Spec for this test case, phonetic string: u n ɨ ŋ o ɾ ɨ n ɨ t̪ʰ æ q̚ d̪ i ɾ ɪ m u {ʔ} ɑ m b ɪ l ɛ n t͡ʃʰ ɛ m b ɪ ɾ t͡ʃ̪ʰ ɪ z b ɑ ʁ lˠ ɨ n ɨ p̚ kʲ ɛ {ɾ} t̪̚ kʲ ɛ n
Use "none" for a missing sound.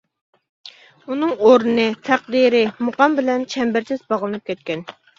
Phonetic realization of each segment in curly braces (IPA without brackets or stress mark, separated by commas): q, none